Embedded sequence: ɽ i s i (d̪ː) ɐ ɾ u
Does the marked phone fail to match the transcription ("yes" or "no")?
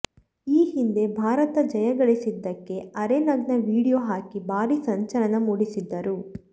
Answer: no